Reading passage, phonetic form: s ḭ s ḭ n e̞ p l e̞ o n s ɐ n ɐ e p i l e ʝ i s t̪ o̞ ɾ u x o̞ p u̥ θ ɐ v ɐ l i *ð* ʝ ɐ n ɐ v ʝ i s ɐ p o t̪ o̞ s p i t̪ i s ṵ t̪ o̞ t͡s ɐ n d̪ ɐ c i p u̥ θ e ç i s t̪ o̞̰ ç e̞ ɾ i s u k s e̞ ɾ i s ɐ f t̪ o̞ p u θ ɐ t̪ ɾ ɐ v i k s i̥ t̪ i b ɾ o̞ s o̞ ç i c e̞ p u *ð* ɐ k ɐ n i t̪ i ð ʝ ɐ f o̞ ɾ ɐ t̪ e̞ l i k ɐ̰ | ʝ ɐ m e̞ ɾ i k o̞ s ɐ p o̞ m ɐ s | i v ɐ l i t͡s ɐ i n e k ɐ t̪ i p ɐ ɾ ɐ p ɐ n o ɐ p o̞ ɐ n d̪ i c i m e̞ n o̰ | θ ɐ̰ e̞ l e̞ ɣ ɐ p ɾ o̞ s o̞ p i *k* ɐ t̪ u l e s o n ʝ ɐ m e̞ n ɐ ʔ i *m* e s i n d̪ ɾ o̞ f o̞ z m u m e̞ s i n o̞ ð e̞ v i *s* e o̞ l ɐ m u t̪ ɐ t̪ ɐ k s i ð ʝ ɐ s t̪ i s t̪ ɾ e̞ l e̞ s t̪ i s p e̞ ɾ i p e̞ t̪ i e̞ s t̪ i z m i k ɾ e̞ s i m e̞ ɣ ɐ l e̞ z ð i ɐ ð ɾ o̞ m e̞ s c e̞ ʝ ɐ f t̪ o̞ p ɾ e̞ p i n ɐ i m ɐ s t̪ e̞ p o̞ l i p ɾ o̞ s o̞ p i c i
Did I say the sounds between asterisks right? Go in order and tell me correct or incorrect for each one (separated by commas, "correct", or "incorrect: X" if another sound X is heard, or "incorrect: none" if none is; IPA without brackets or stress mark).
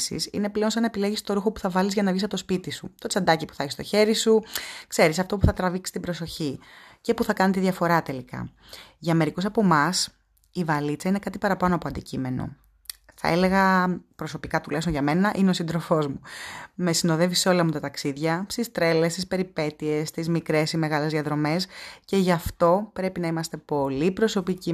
incorrect: z, incorrect: θ, correct, incorrect: n, correct